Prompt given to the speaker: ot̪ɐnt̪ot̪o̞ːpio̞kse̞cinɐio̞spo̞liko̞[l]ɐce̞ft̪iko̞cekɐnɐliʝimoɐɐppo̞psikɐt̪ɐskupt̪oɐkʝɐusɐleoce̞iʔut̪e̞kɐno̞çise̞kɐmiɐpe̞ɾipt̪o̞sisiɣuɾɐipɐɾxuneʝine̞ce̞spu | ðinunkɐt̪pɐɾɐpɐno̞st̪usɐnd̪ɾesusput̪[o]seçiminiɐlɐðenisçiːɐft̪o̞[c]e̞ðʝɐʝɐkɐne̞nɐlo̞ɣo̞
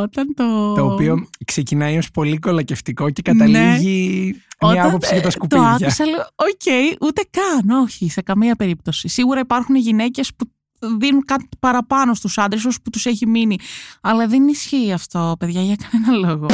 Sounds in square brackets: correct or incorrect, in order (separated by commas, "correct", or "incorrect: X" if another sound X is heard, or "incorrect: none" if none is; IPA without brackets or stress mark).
correct, incorrect: u, incorrect: p